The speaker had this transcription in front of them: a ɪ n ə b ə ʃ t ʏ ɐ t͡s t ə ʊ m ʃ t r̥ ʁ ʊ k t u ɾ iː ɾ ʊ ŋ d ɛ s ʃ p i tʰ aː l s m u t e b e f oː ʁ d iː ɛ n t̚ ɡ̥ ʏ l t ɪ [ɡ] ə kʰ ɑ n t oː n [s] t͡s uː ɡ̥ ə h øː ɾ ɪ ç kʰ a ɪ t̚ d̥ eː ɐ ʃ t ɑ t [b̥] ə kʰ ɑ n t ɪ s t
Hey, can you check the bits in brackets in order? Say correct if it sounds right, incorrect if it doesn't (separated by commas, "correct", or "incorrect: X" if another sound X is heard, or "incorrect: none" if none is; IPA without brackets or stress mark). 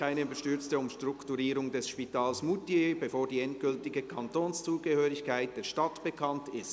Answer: correct, correct, correct